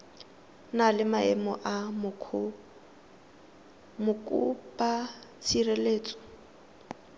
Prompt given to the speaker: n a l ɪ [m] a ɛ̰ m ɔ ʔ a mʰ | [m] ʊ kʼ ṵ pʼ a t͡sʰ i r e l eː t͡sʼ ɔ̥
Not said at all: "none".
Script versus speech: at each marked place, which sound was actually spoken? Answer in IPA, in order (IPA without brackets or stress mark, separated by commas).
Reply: m, m